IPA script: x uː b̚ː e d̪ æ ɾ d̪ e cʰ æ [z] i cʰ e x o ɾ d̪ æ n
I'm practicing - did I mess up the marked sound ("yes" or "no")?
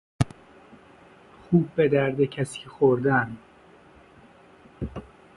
yes